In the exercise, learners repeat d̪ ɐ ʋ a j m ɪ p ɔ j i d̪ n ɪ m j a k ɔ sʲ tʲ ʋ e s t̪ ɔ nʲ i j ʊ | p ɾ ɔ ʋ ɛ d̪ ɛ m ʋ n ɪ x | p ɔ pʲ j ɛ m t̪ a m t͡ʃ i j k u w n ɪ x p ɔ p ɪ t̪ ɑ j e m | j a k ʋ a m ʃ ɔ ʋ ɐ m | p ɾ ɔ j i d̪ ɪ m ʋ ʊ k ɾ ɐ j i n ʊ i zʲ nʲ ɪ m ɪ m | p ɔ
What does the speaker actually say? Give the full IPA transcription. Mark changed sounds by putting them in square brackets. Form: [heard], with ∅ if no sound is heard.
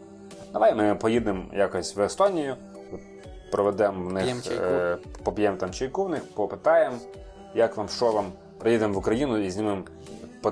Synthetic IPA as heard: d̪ ɐ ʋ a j m ɪ p ɔ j i d̪ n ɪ m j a k ɔ sʲ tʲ ʋ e s t̪ ɔ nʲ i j ʊ | p ɾ ɔ ʋ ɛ d̪ ɛ m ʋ n ɪ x | p ɔ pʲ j ɛ m t̪ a m t͡ʃ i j k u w n ɪ x p ɔ p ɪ t̪ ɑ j e m | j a k ʋ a m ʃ ɔ ʋ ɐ m | p ɾ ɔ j i d̪ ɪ m ʋ ʊ k ɾ ɐ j i n ʊ i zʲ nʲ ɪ m ɪ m | p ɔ